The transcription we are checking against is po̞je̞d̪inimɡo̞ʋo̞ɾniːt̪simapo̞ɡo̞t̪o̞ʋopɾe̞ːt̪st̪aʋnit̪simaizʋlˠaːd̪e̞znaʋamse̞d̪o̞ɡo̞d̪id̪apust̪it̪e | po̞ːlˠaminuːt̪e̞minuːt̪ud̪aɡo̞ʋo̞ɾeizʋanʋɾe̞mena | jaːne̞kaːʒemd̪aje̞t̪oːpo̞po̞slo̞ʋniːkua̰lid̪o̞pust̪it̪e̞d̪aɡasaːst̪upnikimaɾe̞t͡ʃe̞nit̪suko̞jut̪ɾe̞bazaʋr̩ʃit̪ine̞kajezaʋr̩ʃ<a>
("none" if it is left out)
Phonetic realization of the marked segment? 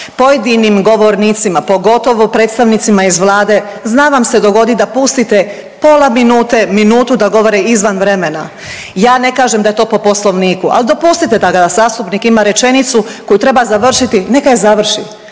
i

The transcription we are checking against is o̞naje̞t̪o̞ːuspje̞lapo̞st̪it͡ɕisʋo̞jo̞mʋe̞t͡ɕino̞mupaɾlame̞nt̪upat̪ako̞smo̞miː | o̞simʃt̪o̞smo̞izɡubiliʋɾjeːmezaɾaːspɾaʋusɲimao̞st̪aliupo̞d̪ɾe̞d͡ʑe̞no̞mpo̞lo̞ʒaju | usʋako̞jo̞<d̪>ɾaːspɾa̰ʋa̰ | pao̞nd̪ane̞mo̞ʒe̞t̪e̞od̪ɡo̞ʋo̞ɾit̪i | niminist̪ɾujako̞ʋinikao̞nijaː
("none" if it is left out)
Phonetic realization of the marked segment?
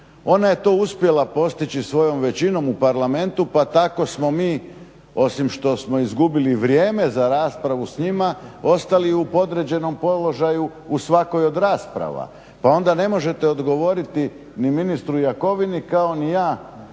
d̪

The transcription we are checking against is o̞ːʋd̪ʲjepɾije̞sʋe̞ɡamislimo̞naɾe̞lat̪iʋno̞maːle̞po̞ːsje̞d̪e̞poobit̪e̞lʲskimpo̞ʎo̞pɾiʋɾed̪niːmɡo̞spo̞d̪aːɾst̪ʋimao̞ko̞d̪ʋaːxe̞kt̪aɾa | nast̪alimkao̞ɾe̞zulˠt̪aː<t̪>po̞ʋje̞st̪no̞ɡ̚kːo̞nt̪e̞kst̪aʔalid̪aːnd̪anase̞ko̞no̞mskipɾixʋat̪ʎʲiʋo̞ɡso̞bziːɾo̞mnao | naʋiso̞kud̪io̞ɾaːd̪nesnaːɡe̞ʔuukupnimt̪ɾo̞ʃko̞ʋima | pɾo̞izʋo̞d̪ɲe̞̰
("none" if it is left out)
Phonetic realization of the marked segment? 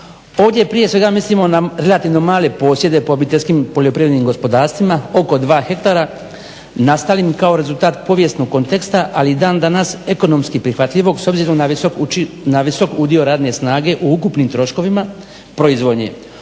t̪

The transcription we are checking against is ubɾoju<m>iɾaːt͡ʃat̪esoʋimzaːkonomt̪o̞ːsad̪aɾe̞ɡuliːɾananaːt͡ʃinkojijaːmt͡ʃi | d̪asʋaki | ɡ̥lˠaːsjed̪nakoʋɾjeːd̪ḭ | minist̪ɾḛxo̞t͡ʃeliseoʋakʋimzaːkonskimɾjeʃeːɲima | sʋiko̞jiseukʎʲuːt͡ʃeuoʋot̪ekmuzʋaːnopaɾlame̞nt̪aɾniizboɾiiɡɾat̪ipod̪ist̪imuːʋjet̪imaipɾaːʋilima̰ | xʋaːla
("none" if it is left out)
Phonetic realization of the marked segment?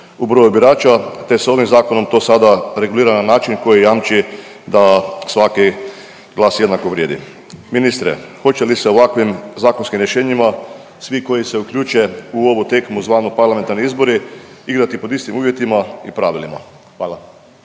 b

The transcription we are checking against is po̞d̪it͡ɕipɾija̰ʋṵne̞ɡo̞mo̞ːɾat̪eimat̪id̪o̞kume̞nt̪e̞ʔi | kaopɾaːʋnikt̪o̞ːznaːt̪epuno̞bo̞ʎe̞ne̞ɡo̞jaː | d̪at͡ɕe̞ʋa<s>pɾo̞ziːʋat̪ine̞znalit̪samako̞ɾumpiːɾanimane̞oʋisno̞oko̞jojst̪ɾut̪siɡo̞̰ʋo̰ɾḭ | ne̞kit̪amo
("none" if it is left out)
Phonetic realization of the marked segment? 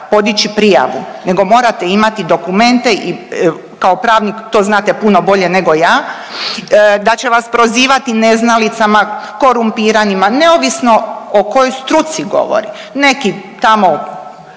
s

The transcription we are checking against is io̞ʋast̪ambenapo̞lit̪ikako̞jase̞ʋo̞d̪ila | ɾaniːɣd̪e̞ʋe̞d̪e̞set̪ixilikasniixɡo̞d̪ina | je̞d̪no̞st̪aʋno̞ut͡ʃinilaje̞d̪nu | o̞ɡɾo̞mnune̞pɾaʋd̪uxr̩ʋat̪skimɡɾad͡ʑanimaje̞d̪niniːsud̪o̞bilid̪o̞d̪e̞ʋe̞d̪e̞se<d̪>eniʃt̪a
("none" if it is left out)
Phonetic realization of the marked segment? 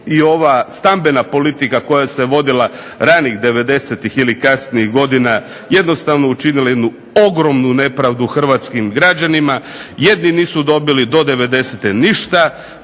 t̪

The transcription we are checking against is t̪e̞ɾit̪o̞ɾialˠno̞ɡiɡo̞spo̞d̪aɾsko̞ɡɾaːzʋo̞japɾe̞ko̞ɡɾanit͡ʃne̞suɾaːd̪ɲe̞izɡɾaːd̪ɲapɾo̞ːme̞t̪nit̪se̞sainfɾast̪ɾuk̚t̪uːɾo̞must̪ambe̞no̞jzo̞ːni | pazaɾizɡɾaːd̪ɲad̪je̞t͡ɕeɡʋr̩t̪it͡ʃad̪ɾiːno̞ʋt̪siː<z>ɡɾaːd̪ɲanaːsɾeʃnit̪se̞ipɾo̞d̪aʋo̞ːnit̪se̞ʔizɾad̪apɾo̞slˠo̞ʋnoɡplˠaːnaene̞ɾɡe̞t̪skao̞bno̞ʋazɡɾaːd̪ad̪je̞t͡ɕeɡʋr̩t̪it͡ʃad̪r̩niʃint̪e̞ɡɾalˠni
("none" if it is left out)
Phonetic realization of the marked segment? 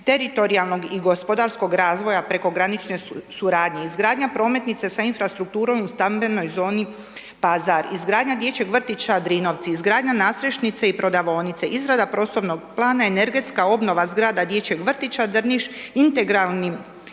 z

